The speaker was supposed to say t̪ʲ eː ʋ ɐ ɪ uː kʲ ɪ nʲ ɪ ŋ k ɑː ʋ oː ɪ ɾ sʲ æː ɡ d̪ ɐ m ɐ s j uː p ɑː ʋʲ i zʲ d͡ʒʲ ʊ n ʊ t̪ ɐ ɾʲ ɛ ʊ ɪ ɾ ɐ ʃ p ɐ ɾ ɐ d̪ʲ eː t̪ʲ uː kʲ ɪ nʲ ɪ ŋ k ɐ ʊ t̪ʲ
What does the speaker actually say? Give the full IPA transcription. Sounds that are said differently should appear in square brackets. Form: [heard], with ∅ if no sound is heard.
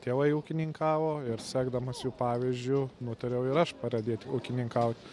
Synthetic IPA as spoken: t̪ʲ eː ʋ ɐ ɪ uː kʲ ɪ nʲ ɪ ŋ k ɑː ʋ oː ɪ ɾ sʲ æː ɡ d̪ ɐ m ɐ s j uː p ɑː ʋʲ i zʲ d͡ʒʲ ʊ n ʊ t̪ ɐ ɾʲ ɛ ʊ ɪ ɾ ɐ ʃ p ɐ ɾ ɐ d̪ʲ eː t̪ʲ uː kʲ ɪ nʲ ɪ ŋ k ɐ ʊ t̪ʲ

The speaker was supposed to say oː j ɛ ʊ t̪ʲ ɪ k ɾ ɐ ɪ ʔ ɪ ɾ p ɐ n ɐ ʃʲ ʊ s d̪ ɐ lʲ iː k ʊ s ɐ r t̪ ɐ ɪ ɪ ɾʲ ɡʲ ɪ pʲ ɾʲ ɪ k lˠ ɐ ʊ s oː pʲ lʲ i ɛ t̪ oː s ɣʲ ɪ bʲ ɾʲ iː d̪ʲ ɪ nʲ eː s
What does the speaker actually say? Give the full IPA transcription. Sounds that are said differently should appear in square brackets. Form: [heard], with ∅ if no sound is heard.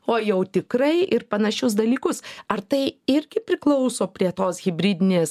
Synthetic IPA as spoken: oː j ɛ ʊ t̪ʲ ɪ k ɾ ɐ ɪ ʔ ɪ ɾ p ɐ n ɐ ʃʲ ʊ s d̪ ɐ lʲ iː k ʊ s ɐ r t̪ ɐ ɪ ɪ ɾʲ ɡʲ ɪ pʲ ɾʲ ɪ k lˠ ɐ ʊ s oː pʲ [ɾʲ] i ɛ t̪ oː s ɣʲ ɪ bʲ ɾʲ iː d̪ʲ ɪ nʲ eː s

